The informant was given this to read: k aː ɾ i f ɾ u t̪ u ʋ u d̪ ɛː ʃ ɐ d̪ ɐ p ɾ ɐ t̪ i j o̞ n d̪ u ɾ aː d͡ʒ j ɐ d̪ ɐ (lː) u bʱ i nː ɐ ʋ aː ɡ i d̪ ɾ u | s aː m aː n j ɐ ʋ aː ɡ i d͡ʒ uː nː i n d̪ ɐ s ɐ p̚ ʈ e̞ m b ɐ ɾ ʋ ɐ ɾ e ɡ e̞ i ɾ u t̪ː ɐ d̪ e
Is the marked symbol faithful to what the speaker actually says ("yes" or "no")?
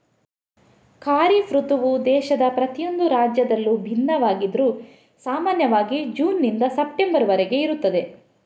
yes